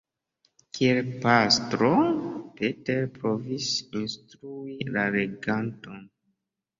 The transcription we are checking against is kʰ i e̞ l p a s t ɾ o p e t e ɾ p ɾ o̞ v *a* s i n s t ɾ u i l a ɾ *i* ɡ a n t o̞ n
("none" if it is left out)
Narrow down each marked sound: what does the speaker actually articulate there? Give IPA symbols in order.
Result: i, e

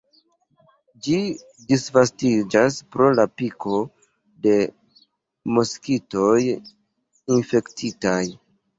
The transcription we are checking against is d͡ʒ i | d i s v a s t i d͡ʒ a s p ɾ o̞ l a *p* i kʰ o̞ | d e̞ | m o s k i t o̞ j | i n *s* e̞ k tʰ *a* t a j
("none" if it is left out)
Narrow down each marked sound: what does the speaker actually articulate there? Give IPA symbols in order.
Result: p, f, i

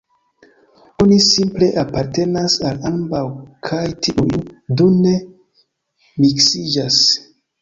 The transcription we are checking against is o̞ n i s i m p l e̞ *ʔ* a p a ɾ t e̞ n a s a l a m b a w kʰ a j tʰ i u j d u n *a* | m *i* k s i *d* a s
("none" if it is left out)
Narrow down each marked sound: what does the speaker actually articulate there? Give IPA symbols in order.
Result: ʔ, e, i, d͡ʒ

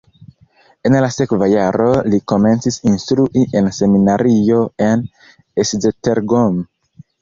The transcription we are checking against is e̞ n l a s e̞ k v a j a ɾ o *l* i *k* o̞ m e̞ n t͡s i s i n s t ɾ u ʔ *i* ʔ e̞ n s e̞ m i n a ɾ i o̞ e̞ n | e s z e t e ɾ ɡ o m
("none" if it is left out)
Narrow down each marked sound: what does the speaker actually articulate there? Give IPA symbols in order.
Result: l, k, i

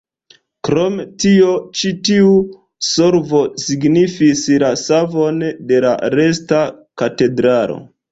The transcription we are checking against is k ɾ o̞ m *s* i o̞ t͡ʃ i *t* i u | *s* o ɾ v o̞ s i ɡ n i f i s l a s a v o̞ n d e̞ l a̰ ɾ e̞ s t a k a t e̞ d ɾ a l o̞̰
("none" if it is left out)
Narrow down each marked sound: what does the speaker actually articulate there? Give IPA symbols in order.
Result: t, t, s

